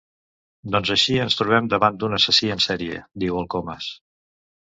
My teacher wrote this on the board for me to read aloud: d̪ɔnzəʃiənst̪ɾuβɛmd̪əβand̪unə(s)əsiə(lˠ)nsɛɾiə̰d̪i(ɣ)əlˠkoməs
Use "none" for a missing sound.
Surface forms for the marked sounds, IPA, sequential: s, none, w

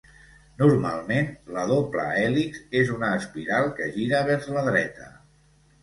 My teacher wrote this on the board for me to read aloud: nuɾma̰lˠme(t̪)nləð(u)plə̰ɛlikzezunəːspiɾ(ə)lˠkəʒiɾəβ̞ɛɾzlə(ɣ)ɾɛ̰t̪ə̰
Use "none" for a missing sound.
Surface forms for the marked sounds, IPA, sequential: none, o, a, ð

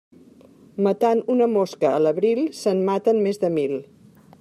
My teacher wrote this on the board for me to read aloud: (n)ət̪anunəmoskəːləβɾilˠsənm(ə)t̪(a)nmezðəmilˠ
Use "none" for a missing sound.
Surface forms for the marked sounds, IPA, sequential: m, a, ə

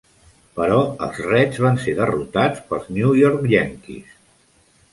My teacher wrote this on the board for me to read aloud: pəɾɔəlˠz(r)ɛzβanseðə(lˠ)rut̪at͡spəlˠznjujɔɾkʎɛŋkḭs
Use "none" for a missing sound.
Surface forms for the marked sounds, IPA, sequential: r, none

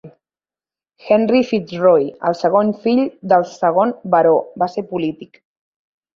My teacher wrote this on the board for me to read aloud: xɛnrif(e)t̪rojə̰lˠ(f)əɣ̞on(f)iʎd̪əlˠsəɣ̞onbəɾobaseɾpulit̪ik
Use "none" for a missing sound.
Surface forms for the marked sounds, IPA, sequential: i, s, f

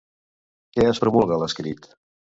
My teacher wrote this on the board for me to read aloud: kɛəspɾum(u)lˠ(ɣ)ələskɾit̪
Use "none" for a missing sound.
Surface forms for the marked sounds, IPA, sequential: u, ɣ

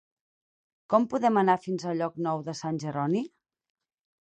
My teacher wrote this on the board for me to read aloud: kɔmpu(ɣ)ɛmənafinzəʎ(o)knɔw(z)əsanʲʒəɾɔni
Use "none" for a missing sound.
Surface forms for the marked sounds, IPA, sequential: ð, ɔ, ð

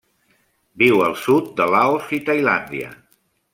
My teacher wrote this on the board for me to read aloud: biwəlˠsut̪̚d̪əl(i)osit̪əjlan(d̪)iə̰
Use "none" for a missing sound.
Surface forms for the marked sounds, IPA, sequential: a, d̪

